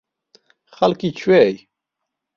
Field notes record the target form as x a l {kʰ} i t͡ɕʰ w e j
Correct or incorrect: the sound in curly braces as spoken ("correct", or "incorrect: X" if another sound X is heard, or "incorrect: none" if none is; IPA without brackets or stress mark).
incorrect: k